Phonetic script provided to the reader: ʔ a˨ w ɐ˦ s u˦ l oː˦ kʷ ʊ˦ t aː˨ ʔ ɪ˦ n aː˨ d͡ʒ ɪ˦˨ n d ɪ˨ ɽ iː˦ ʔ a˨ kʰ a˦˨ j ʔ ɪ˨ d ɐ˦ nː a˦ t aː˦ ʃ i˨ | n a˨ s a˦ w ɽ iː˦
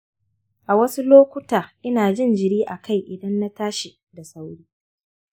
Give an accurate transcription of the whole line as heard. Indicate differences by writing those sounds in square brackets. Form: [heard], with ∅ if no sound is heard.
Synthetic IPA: ʔ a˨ w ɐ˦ s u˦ l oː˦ kʷ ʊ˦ t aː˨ ʔ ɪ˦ n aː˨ d͡ʒ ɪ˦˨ n [d͡ʒ] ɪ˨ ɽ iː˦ ʔ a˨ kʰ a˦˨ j ʔ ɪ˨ d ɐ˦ nː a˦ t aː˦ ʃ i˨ | [d] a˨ s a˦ w ɽ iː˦